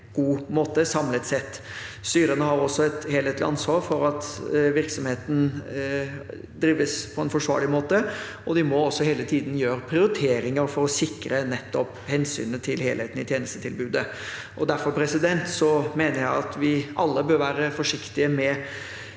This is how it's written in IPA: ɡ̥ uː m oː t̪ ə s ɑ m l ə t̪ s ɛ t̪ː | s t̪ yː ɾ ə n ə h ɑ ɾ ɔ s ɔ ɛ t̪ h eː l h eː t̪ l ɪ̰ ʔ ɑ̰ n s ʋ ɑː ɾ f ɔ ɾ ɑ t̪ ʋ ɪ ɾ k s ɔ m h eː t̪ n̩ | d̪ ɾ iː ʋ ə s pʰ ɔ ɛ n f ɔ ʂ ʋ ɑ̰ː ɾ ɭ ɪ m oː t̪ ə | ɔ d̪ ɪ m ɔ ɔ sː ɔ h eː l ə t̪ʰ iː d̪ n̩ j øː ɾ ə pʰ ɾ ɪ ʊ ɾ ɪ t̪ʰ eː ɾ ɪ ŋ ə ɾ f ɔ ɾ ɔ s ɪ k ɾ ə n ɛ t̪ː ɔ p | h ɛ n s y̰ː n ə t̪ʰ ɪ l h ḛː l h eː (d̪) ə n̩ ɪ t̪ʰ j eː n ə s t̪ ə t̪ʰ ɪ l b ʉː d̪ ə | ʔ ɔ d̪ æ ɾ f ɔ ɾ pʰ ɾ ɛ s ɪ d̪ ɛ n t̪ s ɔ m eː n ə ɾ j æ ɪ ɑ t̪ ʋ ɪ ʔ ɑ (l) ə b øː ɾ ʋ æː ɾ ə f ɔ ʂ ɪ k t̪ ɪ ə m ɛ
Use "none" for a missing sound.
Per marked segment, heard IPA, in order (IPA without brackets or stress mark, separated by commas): t̪, lː